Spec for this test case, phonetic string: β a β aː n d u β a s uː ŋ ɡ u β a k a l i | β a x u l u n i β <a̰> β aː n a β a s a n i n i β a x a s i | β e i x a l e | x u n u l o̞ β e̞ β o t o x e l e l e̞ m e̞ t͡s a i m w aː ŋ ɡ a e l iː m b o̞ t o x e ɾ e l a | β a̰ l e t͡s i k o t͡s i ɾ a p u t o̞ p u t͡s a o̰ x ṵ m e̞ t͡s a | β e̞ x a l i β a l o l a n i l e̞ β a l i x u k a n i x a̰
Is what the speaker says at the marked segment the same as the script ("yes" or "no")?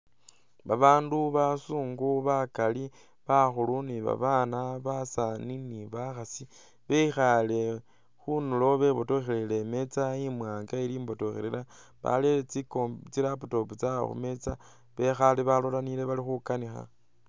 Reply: yes